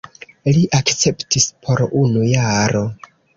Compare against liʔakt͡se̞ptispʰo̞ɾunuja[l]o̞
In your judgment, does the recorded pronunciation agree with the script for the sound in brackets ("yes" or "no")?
no